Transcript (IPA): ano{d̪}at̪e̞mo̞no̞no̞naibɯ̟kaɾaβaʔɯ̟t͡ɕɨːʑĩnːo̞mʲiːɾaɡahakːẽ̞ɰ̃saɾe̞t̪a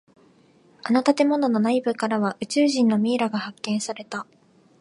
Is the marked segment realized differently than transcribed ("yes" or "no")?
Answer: yes